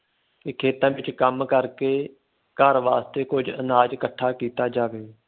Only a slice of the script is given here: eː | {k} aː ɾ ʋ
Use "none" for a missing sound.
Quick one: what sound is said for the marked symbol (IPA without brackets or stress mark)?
k